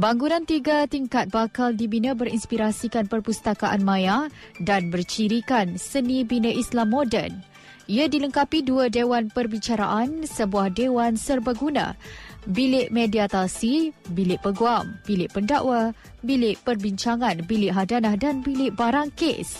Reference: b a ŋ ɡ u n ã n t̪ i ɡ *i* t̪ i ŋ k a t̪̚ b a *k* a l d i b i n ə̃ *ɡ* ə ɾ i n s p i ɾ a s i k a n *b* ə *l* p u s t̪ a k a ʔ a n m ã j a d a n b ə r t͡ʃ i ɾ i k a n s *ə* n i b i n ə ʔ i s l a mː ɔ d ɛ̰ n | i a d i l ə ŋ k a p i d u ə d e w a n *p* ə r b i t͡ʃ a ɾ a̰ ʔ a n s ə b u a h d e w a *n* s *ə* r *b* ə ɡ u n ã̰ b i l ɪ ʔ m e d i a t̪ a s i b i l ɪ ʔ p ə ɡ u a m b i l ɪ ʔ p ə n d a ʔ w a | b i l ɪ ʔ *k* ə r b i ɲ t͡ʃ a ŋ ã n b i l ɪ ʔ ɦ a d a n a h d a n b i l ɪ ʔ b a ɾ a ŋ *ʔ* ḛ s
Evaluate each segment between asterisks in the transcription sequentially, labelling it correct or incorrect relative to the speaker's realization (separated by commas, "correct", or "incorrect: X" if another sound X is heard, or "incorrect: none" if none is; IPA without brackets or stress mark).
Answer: incorrect: a, correct, incorrect: b, incorrect: p, incorrect: r, correct, correct, correct, correct, correct, incorrect: p, incorrect: k